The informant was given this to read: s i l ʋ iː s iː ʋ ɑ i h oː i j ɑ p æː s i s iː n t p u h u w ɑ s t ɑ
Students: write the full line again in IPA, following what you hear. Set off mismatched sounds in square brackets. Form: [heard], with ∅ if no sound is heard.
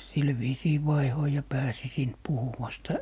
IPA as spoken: s i l ʋ iː s iː ʋ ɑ i h [o] i j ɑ p æː s i s iː n t p u h u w ɑ s t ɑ